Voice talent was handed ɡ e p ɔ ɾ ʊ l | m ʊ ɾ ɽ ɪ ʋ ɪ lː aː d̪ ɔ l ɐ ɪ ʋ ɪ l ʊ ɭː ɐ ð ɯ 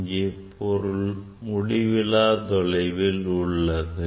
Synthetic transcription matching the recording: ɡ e p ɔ ɾ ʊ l | m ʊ ɽ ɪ ʋ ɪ l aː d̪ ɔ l ɐ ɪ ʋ ɪ l ʊ ɭː ɐ ð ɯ

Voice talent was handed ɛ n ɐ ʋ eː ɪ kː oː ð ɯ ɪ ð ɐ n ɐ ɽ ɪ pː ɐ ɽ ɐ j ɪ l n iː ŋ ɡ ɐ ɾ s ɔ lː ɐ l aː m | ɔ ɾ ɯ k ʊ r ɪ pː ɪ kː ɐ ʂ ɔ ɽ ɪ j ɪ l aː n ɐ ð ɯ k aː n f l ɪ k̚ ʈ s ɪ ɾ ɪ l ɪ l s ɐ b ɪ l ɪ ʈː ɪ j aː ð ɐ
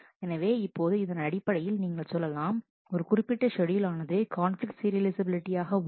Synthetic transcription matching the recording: ɛ n ɐ ʋ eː ɪ pː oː ð ɯ ɪ ð ɐ n ɐ ɽ ɪ pː ɐ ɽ ɐ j ɪ l n iː ŋ ɡ ɐ ɭ s ɔ lː ɐ l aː m | ɔ ɾ ɯ k ʊ r ɪ pː ɪ ʈː ɐ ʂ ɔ ɽ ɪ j ɪ l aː n ɐ ð ɯ k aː n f l ɪ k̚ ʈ s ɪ ɾ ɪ l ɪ s ɐ b ɪ l ɪ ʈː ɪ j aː ɣ ɐ

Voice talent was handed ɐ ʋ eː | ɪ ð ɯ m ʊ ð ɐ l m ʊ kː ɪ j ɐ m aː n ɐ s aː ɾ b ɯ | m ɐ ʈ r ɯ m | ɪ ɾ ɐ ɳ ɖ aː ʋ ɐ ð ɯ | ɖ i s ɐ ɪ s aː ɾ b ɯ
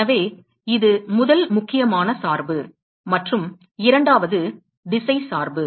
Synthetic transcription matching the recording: ɐ ʋ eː | ɪ ð ɯ m ʊ ð ɐ l m ʊ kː ɪ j ɐ m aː n ɐ s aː ɾ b ɯ | m ɐ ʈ r ɯ m | ɪ ɾ ɐ ɳ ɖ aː ʋ ɐ ð ɯ | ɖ ɪ s ɐ ɪ s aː ɾ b ɯ

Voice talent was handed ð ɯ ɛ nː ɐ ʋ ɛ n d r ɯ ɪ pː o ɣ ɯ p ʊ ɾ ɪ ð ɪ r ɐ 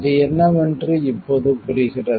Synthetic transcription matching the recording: ð ɯ ɛ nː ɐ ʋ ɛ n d r ɯ ɪ pː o ð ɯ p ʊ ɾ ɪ ɣ ɪ r ɐ

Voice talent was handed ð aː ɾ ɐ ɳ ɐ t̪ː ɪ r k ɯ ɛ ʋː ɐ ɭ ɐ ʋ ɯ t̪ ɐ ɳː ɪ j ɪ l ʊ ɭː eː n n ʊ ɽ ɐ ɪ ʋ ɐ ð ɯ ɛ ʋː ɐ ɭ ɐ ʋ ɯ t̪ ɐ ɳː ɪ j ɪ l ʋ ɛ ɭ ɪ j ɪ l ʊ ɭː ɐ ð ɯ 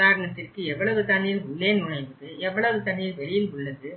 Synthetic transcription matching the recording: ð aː ɾ ɐ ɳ ɐ t̪ː ɪ r k ɯ ɛ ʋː ɐ ɭ ɐ ʋ ɯ t̪ ɐ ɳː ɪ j ɪ l ʊ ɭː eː n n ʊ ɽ ɐ ɪ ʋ ɐ ð ɯ ɛ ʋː ɐ ɭ ɐ ʋ ɯ t̪ ɐ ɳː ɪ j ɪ l ʋ ɛ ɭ ɪ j ɪ l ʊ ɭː ɐ ð ɯ

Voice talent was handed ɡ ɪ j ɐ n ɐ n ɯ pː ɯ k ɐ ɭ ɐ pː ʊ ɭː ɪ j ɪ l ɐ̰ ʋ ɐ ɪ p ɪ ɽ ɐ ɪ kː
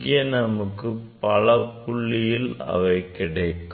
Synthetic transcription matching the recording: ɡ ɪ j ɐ n ɐ m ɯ kː ɯ p ɐ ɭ ɐ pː ʊ ɭː ɪ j ɪ l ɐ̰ ʋ ɐ ɪ k ɪ ɽ ɐ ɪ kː

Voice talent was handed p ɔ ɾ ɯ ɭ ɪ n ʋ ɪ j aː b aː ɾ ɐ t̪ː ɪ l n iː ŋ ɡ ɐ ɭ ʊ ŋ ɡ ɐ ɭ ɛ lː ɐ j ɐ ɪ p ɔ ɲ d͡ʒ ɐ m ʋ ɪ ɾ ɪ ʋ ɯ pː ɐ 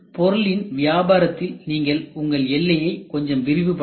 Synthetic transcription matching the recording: p ɔ ɾ ɯ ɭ ɪ n ʋ ɪ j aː b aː ɾ ɐ t̪ː ɪ l n iː ŋ ɡ ɐ ɭ ʊ ŋ ɡ ɐ ɭ ɛ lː ɐ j ɐ ɪ k ɔ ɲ d͡ʒ ɐ m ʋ ɪ ɾ ɪ ʋ ɯ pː ɐ

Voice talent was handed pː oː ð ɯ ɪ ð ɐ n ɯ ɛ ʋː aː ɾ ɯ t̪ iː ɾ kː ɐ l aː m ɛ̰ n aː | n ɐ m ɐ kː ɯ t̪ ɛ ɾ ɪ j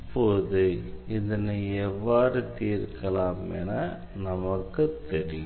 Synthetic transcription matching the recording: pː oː ð ɯ ɪ ð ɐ n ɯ ɛ ʋː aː ɾ ɯ t̪ iː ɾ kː ɐ l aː m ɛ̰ n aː | n ɐ m ɐ kː ɯ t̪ ɛ ɾ ɪ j

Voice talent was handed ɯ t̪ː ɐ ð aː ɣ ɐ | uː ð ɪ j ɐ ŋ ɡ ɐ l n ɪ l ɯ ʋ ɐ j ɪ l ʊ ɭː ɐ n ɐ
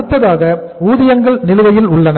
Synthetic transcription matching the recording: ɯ t̪ː ɐ ð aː ɣ ɐ | uː ð ɪ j ɐ ŋ ɡ ɐ ɭ n ɪ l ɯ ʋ ɐ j ɪ l ʊ ɭː ɐ n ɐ

